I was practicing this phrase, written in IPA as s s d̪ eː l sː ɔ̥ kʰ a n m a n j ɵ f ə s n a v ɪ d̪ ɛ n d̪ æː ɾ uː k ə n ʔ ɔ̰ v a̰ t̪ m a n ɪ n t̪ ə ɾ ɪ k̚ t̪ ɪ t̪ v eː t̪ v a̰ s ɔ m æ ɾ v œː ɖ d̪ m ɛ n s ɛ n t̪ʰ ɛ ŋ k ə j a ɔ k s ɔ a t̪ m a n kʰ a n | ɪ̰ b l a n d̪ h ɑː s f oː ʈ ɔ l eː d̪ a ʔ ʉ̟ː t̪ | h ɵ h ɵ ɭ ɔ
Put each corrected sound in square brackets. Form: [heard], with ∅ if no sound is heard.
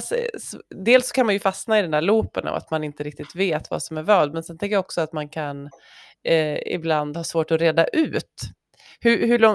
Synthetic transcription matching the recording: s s d̪ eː l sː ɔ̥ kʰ a n m a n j ɵ f [a] s n a [∅] ɪ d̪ ɛ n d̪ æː [ɭ] uː [p] ə n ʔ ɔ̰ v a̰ t̪ m a n ɪ n t̪ ə ɾ ɪ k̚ t̪ ɪ t̪ v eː t̪ v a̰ s ɔ m æ ɾ v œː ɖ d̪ m ɛ n s ɛ n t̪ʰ ɛ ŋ k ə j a ɔ k s ɔ a t̪ m a n kʰ a n | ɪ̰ b l a n d̪ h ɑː s [v] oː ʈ ɔ [ɾ] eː d̪ a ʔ ʉ̟ː t̪ | h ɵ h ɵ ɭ ɔ